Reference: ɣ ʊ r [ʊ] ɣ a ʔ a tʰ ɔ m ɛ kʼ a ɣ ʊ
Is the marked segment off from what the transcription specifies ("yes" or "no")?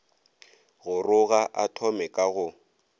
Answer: no